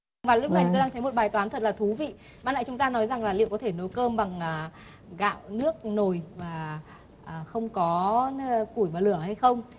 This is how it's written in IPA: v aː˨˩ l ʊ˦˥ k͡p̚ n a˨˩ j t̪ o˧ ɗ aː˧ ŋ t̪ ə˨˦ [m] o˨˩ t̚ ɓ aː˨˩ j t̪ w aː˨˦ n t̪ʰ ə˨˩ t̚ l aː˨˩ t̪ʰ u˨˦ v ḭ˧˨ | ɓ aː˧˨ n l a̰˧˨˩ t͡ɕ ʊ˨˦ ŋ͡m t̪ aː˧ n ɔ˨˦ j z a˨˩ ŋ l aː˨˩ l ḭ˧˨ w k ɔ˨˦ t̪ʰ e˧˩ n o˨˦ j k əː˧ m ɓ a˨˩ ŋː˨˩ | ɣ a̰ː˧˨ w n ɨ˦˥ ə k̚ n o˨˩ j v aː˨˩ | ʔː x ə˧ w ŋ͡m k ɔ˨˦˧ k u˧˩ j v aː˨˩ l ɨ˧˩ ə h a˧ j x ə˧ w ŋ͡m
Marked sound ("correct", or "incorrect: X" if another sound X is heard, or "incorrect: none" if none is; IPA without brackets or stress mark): correct